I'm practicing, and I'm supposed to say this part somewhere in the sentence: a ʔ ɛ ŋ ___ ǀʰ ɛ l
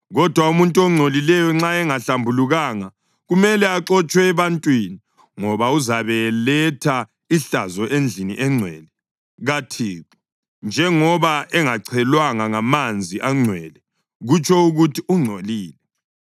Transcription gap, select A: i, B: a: B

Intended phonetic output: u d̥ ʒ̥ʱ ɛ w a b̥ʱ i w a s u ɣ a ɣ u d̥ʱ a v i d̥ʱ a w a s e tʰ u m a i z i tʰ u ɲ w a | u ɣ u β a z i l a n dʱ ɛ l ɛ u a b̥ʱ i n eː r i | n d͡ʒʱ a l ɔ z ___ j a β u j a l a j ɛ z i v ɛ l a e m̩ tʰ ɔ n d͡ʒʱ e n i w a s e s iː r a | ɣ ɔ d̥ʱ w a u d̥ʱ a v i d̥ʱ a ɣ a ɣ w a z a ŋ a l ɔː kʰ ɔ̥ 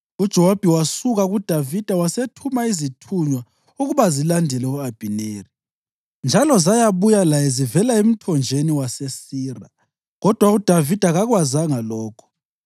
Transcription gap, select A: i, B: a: B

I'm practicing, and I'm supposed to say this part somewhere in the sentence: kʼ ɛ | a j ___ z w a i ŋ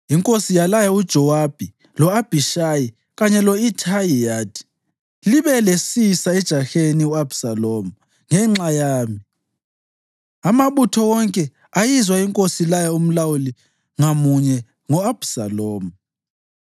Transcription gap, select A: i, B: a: A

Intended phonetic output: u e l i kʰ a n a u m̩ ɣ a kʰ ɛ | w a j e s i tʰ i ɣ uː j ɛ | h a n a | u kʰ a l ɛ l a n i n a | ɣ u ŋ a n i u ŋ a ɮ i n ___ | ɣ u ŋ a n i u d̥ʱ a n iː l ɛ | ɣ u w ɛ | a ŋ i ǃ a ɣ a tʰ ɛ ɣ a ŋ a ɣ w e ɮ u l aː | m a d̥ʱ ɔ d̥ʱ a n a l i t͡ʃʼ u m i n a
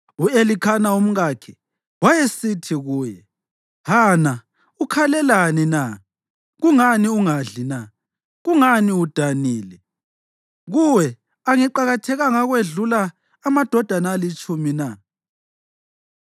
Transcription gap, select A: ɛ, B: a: B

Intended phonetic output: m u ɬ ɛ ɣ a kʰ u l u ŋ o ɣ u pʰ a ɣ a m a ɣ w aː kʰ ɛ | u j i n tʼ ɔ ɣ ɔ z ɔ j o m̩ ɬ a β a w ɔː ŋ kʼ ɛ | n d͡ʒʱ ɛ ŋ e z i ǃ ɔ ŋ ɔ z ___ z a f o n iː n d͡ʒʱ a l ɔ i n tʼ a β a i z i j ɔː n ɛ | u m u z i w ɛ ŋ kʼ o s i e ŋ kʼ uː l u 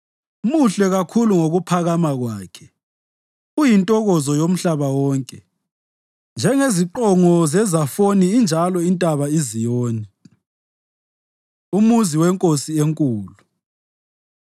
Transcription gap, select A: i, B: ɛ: B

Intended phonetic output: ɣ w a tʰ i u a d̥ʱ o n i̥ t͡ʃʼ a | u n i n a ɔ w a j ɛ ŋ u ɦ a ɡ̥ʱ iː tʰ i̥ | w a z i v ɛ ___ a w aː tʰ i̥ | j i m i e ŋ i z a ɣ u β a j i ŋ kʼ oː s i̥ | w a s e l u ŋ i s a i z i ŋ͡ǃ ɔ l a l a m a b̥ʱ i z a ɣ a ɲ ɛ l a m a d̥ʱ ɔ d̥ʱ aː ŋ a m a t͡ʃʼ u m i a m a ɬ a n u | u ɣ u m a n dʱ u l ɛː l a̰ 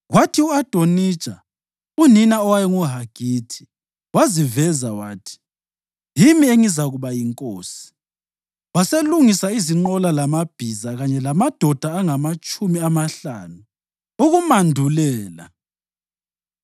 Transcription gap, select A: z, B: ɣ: A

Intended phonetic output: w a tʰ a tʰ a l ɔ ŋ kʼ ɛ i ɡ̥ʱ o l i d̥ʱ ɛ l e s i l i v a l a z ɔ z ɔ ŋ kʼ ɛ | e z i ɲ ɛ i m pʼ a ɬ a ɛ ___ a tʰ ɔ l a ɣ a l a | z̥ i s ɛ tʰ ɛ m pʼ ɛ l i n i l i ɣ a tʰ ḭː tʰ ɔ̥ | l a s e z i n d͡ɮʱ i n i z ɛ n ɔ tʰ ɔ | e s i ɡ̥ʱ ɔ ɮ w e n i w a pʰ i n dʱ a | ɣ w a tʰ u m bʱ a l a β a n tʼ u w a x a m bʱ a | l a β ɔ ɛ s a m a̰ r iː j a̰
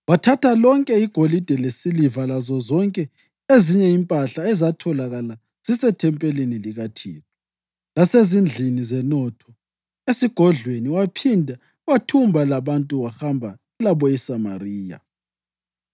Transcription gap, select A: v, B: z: B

